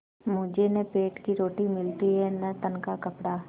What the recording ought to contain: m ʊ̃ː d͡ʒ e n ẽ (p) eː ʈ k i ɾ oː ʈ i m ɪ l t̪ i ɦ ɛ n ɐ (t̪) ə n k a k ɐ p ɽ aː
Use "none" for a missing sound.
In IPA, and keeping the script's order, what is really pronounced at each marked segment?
p, t̪

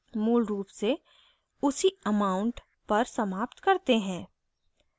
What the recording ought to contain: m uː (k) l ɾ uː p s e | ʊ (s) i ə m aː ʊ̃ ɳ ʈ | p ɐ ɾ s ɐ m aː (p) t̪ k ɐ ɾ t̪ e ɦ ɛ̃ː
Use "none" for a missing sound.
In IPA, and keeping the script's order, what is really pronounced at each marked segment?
none, s, p

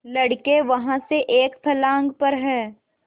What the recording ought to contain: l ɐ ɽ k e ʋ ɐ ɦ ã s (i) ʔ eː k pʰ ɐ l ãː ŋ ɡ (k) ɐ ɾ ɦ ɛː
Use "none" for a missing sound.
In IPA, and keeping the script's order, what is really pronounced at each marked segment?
e, p

